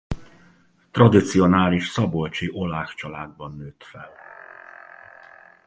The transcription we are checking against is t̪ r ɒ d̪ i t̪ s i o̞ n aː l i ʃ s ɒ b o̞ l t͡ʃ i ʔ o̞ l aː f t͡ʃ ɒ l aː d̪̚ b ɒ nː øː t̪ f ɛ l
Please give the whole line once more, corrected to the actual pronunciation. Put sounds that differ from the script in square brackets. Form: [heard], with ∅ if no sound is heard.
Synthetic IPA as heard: t̪ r ɒ d̪ i t̪ s i o̞ n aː l i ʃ s ɒ b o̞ l t͡ʃ i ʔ o̞ l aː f t͡ʃ ɒ l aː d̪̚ b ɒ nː øː t̪ f ɛ l